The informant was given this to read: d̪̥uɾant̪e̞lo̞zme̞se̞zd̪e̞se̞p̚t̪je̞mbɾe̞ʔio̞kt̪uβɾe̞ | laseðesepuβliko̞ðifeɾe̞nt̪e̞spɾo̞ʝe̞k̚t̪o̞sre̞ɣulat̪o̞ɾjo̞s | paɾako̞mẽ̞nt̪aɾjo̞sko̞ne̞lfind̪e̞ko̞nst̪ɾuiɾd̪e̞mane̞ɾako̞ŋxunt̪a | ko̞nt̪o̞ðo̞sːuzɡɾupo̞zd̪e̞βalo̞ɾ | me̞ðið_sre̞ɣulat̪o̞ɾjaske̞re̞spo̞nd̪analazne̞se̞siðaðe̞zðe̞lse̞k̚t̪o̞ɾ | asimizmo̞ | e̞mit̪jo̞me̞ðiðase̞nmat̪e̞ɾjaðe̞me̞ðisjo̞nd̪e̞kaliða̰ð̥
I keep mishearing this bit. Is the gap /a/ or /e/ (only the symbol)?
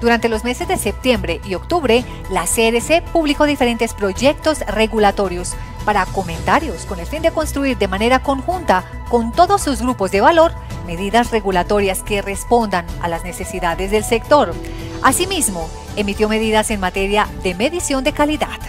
a